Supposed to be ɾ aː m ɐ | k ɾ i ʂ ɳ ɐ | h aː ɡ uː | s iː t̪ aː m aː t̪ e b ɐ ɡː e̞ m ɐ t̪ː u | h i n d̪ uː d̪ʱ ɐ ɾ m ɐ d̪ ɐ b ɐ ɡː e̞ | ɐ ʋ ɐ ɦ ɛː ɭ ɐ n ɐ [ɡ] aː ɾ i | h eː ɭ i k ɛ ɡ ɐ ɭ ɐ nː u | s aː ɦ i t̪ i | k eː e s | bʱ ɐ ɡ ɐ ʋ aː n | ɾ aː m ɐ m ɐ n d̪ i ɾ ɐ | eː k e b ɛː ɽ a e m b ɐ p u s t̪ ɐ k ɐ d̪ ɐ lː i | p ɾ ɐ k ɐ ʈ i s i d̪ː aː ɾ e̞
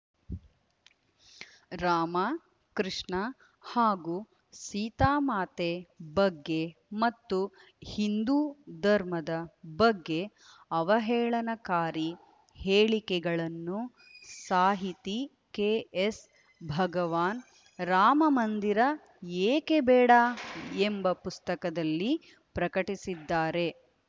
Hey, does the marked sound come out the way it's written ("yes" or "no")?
no